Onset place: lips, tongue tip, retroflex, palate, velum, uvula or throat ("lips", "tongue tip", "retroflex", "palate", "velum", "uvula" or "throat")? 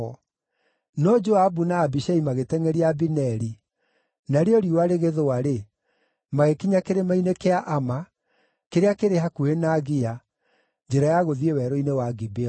tongue tip